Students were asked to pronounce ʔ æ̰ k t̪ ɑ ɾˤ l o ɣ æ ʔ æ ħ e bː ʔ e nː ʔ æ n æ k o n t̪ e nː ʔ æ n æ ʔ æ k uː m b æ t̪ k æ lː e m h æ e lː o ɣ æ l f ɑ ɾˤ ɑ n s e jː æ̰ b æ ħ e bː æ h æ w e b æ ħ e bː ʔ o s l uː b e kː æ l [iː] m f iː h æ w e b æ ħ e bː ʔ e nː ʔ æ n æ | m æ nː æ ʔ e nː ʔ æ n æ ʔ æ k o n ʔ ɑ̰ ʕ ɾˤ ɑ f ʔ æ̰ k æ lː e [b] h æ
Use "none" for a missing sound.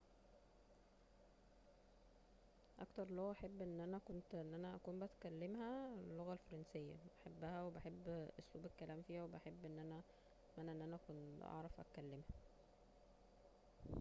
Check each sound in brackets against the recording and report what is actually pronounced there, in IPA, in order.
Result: æː, m

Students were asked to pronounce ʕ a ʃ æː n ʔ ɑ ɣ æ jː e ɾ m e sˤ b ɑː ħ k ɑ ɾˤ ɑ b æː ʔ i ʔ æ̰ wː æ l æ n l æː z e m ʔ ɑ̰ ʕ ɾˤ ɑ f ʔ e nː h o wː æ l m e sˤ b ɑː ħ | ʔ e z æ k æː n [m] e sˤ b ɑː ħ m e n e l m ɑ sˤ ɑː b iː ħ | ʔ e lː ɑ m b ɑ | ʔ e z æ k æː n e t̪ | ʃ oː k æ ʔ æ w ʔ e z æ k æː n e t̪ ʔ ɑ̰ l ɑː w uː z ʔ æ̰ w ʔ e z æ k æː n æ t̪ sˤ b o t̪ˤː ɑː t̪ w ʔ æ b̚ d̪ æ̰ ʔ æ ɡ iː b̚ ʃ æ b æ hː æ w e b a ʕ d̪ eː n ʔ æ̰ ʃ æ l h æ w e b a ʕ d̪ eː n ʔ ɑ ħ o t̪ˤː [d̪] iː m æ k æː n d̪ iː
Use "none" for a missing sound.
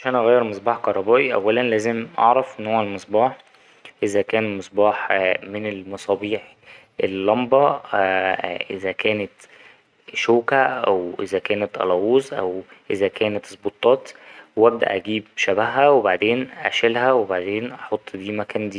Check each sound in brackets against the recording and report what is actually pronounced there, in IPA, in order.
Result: m, d̪

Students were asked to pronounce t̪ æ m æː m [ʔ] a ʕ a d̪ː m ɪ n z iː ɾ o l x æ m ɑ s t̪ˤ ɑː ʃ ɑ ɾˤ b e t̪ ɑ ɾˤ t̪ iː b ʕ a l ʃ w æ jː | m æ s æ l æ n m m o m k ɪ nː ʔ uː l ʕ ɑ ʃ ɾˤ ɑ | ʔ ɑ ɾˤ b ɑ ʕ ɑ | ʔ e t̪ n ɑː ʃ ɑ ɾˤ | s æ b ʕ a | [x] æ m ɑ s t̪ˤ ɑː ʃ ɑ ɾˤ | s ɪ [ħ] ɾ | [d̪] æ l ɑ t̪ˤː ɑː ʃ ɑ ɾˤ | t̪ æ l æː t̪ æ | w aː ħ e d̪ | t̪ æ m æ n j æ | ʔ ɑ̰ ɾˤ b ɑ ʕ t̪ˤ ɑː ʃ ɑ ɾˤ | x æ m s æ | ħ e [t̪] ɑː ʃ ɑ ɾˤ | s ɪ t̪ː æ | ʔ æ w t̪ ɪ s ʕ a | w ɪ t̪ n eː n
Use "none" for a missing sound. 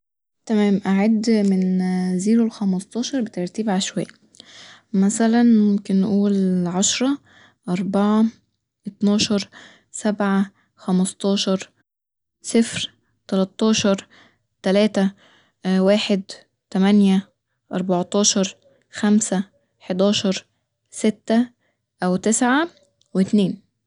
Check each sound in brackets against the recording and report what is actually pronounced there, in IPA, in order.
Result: ʔ, x, f, t̪, d̪

